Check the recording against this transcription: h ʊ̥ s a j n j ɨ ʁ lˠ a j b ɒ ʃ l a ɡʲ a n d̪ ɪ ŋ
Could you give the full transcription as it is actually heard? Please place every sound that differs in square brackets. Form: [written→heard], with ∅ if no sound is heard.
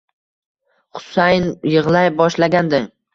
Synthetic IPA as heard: [h→χ] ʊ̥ s a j n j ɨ ʁ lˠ a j b ɒ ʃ l a ɡʲ a n d̪ ɪ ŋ